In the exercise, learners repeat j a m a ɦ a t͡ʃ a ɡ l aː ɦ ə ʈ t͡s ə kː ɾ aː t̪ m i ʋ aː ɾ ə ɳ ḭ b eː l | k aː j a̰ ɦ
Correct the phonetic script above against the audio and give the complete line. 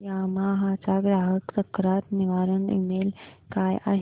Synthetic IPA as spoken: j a m a ɦ a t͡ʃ a ɡ ɾ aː ɦ ə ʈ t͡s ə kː ɾ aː t̪ n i ʋ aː ɾ ə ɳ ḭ m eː l | k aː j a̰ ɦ